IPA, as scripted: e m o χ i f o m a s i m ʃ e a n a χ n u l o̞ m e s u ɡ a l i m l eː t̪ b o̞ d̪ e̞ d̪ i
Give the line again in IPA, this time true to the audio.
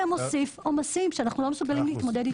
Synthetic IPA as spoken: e m o s i f o m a s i m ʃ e a n a χ n u l o̞ m e s u ɡ a l i m l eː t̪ m o̞ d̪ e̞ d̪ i